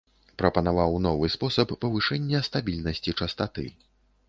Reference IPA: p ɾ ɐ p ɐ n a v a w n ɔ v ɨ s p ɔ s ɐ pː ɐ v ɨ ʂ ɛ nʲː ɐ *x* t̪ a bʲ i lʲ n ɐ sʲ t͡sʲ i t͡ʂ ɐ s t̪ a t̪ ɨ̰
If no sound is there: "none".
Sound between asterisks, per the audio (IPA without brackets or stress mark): s